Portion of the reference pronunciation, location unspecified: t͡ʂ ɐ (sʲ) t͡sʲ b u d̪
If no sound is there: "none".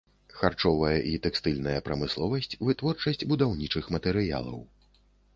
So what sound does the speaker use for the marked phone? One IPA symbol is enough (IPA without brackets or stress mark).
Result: sʲ